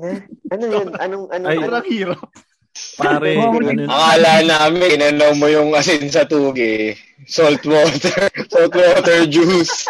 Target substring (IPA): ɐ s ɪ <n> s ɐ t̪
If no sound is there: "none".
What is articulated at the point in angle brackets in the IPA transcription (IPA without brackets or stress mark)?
n